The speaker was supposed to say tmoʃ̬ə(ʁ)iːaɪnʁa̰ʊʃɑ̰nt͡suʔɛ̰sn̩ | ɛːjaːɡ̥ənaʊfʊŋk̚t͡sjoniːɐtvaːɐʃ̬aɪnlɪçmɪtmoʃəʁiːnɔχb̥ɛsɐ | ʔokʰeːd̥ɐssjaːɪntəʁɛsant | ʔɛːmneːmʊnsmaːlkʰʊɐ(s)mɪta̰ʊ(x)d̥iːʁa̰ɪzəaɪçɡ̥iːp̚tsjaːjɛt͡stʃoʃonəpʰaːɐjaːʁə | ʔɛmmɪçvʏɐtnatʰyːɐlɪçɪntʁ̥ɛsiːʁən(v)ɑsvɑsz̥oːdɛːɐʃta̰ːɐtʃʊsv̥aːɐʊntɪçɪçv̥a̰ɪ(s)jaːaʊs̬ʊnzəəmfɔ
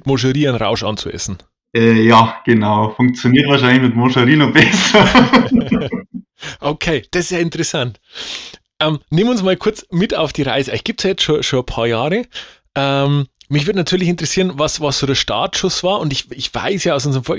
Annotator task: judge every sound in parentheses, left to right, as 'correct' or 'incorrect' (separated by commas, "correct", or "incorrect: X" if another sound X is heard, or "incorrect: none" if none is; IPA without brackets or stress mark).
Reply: correct, incorrect: t͡s, incorrect: f, correct, correct